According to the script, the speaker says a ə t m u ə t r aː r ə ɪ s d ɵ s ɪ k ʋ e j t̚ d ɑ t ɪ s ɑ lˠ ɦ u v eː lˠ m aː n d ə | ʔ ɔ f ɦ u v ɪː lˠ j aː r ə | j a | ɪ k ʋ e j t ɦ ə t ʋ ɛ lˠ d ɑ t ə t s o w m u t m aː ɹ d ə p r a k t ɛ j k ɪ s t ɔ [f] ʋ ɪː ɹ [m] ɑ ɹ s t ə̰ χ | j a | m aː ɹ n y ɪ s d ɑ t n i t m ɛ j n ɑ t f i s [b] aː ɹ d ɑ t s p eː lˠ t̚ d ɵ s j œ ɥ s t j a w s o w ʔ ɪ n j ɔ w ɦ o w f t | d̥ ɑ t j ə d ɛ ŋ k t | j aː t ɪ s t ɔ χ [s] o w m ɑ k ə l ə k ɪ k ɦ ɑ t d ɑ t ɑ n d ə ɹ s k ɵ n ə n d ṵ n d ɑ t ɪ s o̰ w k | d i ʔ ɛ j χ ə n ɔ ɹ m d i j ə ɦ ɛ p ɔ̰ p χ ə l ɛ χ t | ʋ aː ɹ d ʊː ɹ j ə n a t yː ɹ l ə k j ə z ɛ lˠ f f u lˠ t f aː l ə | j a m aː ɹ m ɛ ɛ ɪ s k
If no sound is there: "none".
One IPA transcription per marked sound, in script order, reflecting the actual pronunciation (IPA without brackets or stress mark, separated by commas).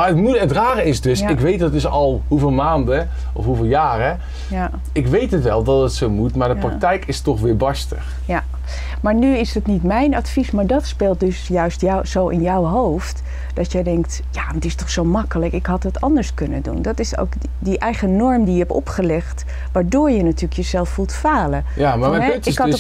χ, b, m, s